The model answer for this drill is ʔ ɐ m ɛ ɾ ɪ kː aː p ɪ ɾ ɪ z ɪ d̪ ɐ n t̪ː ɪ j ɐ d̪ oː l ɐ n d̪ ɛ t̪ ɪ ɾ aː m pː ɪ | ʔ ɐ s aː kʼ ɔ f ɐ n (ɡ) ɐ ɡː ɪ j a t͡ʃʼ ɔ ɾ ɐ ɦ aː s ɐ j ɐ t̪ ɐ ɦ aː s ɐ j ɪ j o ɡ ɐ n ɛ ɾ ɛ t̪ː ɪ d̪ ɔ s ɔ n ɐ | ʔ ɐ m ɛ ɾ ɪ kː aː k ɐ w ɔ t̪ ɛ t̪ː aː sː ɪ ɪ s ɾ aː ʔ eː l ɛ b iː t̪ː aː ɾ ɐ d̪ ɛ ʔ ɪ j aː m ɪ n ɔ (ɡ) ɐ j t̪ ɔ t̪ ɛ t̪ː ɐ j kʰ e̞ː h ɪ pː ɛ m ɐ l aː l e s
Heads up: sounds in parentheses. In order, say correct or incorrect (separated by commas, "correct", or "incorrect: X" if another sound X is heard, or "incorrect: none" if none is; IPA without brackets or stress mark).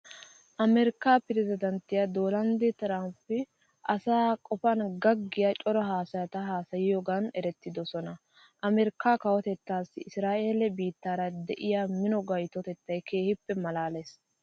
correct, correct